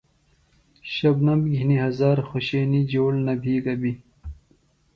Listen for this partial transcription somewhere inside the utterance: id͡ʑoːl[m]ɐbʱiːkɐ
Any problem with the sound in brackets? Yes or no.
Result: yes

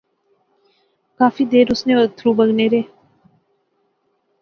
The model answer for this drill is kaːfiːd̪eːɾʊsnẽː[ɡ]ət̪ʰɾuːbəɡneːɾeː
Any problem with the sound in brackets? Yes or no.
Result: yes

